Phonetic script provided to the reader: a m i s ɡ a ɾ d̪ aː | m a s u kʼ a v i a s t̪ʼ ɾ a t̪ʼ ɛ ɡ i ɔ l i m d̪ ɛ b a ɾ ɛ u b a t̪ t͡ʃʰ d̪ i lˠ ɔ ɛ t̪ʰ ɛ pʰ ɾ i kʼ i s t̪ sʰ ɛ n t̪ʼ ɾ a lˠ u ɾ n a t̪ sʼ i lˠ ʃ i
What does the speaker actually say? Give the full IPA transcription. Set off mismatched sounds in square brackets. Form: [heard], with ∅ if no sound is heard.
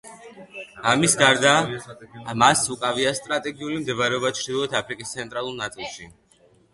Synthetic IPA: a m i s ɡ a ɾ d̪ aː | m a s u kʼ a v i a s t̪ʼ ɾ a t̪ʼ ɛ ɡ i [u] l i m d̪ ɛ [v] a ɾ ɛ [ɔ] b a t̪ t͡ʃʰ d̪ i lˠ ɔ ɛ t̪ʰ [a] pʰ ɾ i kʼ i s t̪ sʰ ɛ n t̪ʼ ɾ a lˠ u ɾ n a t̪ sʼ i lˠ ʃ i